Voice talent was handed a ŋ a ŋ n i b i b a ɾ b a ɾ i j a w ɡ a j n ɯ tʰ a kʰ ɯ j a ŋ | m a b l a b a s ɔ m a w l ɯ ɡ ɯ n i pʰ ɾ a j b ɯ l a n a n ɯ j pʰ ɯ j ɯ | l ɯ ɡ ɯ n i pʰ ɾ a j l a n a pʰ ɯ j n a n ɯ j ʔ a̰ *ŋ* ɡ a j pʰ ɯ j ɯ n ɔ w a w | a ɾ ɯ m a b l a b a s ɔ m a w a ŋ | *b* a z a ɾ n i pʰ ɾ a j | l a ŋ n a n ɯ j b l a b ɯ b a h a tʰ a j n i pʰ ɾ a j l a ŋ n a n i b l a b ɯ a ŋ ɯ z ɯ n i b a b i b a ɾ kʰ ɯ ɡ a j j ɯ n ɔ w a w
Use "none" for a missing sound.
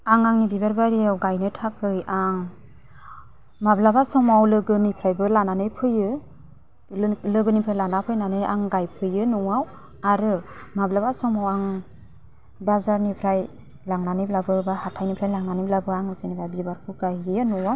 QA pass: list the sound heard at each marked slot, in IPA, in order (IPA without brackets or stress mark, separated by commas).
ŋ, b